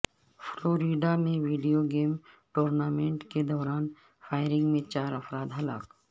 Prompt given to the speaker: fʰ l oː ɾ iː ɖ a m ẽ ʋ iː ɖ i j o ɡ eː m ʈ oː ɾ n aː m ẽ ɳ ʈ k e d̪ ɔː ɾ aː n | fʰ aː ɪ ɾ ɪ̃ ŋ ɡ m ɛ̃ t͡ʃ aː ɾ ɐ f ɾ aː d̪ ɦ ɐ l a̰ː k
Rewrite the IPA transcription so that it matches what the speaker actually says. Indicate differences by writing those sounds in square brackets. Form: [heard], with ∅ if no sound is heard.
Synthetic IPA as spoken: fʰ l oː ɾ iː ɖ a m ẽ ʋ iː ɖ i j o ɡ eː m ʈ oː ɾ n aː m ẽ ɳ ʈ k e d̪ ɔː ɾ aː n | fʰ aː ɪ ɾ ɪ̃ ŋ ɡ m [ẽ] t͡ʃ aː ɾ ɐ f ɾ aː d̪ ɦ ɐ l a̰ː k